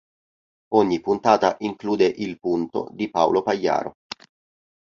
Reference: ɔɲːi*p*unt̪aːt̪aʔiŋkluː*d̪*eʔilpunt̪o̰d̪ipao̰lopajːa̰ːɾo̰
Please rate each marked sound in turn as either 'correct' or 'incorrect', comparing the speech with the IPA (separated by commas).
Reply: correct, correct